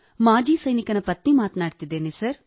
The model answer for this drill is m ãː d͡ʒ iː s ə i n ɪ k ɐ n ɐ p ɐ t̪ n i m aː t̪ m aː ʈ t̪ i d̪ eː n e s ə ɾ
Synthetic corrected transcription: m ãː d͡ʒ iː s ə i n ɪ k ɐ n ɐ p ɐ t̪ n i m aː t̪ n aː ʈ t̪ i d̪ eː n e s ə ɾ